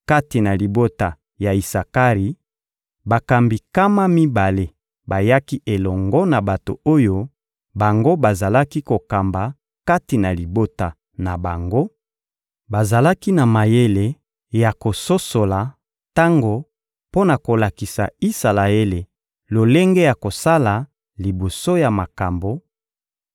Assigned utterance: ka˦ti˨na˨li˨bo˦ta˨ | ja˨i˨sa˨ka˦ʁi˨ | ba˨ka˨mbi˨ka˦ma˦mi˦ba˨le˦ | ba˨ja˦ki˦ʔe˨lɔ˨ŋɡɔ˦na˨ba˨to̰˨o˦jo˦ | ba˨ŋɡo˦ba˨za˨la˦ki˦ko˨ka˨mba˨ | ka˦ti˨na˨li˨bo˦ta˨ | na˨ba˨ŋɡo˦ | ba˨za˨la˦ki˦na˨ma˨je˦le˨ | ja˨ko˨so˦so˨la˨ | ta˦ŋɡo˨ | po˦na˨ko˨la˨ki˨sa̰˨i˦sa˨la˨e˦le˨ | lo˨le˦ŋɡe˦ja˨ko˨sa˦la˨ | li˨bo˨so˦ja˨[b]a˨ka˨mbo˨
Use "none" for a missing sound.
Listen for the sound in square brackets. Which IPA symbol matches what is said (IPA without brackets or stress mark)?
m